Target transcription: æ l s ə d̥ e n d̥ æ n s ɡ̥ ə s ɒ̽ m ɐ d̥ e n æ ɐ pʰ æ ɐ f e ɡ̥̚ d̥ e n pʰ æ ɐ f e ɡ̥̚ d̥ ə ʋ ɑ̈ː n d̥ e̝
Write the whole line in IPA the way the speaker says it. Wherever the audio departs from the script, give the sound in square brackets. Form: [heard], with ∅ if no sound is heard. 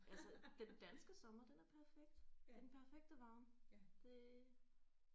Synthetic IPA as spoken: æ l s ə d̥ e n d̥ æ n s ɡ̥ ə s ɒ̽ m ɐ d̥ e n æ ɐ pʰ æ ɐ f e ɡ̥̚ d̥ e n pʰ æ ɐ f e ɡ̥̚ d̥ ə ʋ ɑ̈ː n d̥ e̝